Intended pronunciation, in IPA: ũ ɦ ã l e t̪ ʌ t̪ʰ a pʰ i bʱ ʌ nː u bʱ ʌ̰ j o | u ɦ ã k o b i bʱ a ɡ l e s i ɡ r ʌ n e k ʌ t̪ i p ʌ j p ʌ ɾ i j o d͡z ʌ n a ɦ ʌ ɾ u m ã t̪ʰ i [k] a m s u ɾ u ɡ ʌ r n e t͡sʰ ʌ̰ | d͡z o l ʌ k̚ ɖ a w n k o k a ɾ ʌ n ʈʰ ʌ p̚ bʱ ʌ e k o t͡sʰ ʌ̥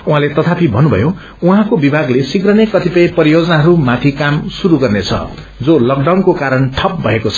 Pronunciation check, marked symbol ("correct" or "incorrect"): correct